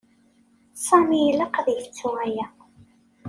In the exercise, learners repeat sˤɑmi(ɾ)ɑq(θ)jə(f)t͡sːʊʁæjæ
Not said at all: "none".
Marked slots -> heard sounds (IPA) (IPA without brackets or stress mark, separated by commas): l, ð, f